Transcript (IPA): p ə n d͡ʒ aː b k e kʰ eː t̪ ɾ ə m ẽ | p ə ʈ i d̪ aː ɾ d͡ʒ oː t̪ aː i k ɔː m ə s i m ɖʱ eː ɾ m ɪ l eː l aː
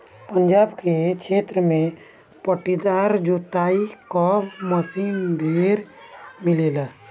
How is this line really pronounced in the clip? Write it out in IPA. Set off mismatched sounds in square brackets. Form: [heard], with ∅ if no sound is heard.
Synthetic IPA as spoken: p ə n d͡ʒ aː b k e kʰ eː t̪ ɾ ə m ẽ | p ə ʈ i d̪ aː ɾ d͡ʒ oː t̪ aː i k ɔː m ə s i m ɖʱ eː ɾ m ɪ l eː l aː